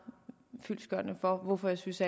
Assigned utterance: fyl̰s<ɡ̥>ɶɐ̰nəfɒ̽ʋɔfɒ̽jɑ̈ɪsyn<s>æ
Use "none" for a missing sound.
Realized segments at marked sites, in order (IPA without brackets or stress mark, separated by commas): ɡ̥, s